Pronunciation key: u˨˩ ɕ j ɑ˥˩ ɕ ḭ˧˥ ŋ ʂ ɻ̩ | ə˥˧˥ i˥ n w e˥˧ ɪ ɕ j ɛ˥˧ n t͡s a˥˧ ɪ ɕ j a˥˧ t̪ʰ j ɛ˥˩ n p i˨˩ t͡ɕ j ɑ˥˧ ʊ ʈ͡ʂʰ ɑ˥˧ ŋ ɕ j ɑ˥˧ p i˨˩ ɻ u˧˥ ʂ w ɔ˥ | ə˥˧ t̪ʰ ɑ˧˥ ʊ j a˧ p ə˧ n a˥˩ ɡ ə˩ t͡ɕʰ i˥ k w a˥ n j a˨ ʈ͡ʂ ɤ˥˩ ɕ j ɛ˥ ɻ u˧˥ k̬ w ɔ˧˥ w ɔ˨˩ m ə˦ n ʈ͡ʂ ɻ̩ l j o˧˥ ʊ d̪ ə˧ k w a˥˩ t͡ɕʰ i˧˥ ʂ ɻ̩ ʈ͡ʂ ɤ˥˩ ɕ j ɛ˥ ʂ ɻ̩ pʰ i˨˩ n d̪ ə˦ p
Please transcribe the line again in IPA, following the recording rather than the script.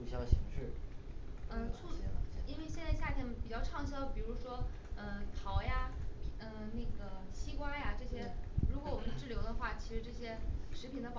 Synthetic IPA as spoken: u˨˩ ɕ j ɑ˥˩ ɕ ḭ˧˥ ŋ ʂ ɻ̩ | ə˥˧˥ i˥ n w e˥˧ ɪ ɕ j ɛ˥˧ n t͡s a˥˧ ɪ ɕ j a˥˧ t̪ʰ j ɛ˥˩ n p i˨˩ t͡ɕ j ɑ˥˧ ʊ ʈ͡ʂʰ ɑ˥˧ ŋ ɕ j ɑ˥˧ p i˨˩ ɻ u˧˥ ʂ w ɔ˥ | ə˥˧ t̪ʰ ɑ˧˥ ʊ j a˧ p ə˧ n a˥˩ ɡ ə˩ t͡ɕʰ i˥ k w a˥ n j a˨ ʈ͡ʂ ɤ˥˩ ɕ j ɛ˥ ɻ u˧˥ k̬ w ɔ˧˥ w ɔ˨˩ m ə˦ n ʈ͡ʂ ɻ̩ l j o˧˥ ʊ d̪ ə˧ x w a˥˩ t͡ɕʰ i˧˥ ʂ ɻ̩ ʈ͡ʂ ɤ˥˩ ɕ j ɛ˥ ʂ ɻ̩ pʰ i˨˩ n d̪ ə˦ p

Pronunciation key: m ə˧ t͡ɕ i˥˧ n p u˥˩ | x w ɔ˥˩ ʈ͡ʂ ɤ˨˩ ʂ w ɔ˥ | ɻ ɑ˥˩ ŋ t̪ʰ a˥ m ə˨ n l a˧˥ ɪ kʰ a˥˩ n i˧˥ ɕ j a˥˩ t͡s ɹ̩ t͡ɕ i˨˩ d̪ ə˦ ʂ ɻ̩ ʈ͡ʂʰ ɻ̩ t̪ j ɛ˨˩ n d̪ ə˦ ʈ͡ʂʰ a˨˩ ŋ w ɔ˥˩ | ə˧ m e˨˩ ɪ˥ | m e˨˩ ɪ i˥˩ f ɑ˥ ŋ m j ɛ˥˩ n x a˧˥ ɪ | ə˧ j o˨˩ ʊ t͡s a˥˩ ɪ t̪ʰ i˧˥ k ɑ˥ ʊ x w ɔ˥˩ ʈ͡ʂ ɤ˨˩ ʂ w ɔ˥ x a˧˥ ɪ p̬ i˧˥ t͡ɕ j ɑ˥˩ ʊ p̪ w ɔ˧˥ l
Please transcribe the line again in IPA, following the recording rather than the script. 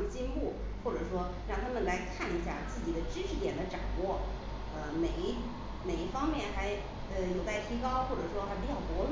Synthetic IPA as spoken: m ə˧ t͡ɕ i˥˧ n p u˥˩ | x w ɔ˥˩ ʈ͡ʂ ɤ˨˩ ʂ w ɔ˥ | ɻ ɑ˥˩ ŋ t̪ʰ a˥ m ə˨ n l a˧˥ ɪ kʰ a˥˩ n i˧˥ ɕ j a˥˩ t͡s ɹ̩ t͡ɕ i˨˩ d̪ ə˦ ʈ͡ʂ ɻ̩ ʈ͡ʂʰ ɻ̩ t̪ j ɛ˨˩ n d̪ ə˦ ʈ͡ʂ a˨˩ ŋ w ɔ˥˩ | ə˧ m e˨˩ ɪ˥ | m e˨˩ ɪ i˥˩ f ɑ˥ ŋ m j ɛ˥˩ n x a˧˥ ɪ | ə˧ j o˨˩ ʊ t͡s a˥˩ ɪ t̪ʰ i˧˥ k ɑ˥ ʊ x w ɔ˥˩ ʈ͡ʂ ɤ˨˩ ʂ w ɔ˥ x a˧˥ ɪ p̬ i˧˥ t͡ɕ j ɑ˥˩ ʊ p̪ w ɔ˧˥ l

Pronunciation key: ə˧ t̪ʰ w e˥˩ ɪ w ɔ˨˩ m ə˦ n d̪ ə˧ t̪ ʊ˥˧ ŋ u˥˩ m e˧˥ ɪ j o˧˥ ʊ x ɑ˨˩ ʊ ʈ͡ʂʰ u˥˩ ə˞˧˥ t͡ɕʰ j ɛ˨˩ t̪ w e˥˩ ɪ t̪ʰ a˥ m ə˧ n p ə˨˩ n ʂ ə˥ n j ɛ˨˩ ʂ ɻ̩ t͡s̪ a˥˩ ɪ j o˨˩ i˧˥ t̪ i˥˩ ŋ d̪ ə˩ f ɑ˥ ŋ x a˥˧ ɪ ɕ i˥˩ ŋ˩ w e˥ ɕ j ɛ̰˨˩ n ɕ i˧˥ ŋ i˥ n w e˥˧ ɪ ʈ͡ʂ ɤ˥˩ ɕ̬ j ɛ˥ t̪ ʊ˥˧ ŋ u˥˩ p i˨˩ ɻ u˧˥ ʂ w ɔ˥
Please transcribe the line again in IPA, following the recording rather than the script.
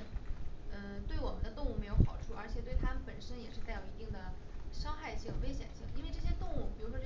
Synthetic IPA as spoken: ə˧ t̪ w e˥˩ ɪ w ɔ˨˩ m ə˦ n d̪ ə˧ t̪ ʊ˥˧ ŋ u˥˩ m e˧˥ ɪ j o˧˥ ʊ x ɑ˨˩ ʊ ʈ͡ʂʰ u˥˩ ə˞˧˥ t͡ɕʰ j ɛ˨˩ t̪ w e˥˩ ɪ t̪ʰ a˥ m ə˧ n p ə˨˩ n ʂ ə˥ n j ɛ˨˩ ʂ ɻ̩ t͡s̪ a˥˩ ɪ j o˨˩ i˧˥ t̪ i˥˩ ŋ d̪ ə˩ ʂ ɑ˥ ŋ x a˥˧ ɪ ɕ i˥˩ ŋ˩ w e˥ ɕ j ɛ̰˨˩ n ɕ i˥˩ ŋ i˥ n w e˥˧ ɪ ʈ͡ʂ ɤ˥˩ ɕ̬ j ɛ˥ t̪ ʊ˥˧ ŋ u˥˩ p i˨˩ ɻ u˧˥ ʂ w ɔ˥

